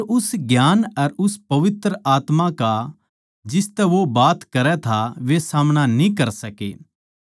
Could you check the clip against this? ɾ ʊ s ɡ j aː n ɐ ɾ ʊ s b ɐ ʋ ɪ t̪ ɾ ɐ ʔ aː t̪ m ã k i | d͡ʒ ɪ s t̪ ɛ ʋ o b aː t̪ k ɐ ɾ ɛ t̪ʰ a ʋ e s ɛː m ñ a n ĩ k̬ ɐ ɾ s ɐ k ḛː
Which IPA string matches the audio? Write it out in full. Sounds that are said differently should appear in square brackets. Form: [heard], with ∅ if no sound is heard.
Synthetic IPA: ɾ ʊ s ɡ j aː n ɐ ɾ ʊ s [p] ɐ ʋ ɪ t̪ ɾ [ə] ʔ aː t̪ m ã k [a] | d͡ʒ ɪ s t̪ ɛ ʋ o b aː t̪ k ɐ ɾ ɛ t̪ʰ a ʋ e s [aː] m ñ a n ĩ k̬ ɐ ɾ s ɐ k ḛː